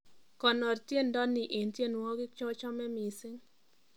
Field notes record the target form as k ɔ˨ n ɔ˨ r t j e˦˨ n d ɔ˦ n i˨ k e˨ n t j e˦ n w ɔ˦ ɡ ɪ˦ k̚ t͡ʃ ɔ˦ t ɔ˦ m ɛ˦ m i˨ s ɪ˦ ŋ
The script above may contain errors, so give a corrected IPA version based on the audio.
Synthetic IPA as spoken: k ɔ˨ n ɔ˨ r t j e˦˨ n d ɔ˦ n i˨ ʔ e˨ n t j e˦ n w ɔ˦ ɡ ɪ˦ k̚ t͡ʃ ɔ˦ t͡ʃ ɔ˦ m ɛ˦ m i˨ s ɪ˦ ŋ